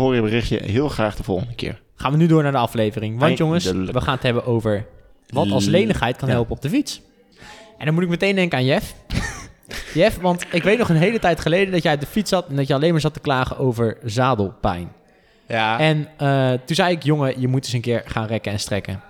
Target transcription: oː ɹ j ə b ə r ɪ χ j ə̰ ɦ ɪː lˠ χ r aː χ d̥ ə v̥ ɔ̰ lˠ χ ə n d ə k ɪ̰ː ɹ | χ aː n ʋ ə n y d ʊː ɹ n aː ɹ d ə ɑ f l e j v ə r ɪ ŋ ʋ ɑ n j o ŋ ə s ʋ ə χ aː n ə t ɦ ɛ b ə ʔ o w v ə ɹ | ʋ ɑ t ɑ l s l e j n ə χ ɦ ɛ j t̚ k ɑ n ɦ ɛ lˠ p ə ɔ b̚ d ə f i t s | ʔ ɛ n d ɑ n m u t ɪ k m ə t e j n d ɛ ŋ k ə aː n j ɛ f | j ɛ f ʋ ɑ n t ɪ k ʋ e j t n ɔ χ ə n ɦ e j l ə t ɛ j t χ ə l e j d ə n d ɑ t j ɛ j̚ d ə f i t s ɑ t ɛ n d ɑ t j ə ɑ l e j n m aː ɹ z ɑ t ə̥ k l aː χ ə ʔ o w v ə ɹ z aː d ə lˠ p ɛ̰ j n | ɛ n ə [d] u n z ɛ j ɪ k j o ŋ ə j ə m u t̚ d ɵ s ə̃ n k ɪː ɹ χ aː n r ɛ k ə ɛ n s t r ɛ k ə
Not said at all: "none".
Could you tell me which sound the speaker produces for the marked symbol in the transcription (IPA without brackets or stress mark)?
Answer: t